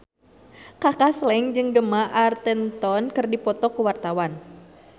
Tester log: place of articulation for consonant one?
velar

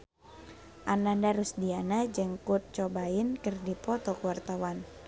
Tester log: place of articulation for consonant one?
glottal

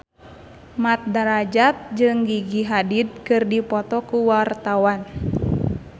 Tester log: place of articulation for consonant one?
labial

